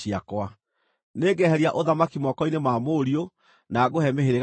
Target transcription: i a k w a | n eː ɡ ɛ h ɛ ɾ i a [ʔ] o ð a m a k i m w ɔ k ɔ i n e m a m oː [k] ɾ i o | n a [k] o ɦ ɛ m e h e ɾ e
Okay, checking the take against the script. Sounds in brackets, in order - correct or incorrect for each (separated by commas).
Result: correct, incorrect, incorrect